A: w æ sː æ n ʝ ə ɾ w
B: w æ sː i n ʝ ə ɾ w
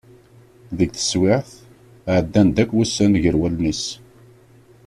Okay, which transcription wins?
A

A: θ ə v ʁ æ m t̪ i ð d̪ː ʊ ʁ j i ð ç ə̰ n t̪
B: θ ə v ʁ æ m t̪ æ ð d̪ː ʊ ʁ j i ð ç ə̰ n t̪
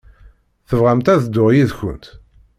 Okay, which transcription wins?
B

